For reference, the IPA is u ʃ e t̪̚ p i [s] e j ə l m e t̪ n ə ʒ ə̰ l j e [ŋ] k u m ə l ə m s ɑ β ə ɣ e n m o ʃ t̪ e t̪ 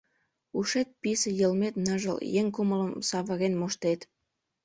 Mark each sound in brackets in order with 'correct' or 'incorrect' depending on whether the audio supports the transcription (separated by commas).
correct, correct